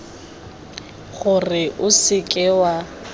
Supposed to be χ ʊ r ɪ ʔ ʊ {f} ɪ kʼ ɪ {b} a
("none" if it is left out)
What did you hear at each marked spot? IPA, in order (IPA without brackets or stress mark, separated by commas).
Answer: s, w